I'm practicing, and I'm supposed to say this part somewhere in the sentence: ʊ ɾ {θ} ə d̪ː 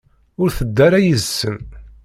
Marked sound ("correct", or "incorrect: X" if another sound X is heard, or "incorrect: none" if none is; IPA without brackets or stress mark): correct